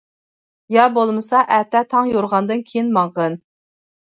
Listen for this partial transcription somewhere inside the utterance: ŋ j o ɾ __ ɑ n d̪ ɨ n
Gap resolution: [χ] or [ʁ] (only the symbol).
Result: ʁ